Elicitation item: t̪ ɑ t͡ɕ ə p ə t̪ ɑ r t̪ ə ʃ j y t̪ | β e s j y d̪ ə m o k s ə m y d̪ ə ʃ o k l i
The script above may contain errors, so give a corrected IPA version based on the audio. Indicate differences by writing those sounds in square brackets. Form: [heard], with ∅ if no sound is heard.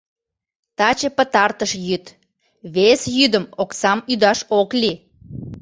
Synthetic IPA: t̪ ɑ t͡ɕ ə p ə t̪ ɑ r t̪ ə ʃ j y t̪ | β e s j y d̪ ə m o k s [ɑ] m y d̪ [ɑ] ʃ o k l i